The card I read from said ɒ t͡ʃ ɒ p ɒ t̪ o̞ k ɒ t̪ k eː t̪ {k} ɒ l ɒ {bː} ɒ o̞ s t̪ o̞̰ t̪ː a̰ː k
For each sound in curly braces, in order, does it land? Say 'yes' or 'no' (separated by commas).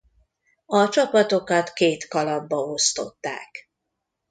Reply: yes, yes